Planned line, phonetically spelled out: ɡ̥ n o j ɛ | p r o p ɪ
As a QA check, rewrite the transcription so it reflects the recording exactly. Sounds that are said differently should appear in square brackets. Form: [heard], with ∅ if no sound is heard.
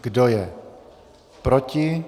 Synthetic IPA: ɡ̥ [d] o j ɛ | p [ɾ] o [c] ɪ